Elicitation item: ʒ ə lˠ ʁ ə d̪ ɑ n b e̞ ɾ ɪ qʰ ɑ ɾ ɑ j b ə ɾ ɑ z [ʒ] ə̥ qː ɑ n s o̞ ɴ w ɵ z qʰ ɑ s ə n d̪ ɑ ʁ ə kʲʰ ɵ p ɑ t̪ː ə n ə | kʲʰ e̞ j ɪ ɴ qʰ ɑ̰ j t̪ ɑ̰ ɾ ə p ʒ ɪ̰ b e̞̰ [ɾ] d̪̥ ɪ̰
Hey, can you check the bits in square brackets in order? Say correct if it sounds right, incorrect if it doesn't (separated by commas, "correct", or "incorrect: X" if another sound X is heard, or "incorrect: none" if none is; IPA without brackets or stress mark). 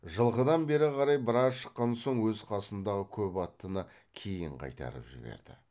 incorrect: ʃ, correct